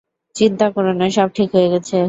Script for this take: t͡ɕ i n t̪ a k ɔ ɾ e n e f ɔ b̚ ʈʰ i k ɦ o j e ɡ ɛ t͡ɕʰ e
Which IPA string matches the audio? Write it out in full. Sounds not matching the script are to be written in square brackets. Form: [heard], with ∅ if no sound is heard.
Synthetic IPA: t͡ɕ i n t̪ a k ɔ ɾ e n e [ʃ] ɔ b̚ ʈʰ i k ɦ o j e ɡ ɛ t͡ɕʰ e